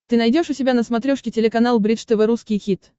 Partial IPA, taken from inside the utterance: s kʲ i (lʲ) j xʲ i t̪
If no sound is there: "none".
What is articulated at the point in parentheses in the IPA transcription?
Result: none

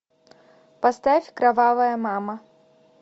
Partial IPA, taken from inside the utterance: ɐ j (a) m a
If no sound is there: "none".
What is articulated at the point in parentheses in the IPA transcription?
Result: ɐ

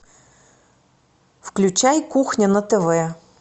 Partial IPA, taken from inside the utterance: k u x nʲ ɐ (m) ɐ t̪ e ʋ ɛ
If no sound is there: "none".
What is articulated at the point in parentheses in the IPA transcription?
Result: n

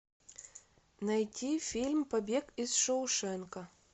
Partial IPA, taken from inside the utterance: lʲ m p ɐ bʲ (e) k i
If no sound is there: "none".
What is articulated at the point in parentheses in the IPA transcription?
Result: e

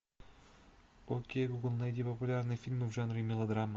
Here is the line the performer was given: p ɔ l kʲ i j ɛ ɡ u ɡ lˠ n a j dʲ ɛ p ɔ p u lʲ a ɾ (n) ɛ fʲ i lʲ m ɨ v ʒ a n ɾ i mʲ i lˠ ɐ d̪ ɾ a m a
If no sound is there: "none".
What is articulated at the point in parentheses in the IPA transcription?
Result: n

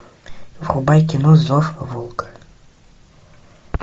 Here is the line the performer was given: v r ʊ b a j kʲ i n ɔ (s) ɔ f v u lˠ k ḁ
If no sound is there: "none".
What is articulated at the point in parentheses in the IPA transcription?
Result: z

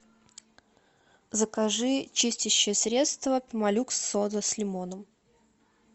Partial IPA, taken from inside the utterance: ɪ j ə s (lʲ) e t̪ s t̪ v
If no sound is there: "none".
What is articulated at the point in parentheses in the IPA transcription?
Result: ɾʲ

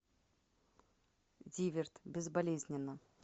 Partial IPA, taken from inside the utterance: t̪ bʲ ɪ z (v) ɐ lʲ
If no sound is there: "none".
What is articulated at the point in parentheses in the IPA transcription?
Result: b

